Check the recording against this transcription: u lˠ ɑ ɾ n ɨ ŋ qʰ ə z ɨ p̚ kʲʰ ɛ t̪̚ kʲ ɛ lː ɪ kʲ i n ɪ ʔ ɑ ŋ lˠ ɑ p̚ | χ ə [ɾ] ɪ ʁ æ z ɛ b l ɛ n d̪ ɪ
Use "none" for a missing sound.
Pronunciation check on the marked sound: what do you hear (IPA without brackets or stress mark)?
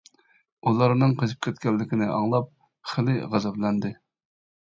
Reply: l